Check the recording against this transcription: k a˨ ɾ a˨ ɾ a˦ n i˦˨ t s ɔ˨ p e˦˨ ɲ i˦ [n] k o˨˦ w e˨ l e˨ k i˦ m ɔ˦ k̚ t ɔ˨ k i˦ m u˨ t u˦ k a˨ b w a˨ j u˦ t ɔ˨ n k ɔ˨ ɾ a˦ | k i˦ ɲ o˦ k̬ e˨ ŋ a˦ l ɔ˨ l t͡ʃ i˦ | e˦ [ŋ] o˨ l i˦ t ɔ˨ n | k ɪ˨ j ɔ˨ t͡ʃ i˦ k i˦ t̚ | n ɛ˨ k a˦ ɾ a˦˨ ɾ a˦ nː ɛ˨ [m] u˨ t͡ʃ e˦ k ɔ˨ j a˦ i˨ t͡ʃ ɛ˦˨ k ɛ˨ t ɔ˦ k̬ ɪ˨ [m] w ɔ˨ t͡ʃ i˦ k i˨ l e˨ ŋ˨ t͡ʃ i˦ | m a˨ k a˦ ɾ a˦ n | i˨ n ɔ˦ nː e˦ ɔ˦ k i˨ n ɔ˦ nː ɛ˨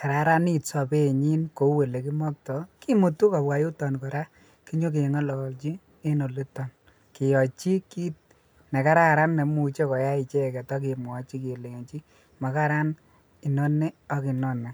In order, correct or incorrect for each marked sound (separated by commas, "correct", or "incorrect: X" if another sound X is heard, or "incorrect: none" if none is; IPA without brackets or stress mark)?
correct, incorrect: n, correct, correct